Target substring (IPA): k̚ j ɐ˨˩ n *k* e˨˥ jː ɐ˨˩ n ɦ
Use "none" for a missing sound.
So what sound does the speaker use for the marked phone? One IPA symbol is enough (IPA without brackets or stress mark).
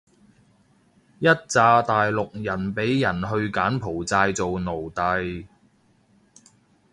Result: p